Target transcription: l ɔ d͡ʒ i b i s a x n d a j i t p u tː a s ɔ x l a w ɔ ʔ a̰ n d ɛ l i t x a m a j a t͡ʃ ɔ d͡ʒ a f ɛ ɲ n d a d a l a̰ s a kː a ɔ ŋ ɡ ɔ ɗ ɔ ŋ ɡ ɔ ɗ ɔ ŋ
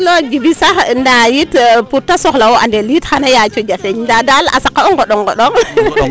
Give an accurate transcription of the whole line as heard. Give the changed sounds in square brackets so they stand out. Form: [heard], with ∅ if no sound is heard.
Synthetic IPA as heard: l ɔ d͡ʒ i b i s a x n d a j i t p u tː a s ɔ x l a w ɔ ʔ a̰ n d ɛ l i t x a [n] a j a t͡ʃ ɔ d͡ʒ a f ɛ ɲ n d a d a l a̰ s a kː a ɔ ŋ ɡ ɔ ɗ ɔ ŋ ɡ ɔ ɗ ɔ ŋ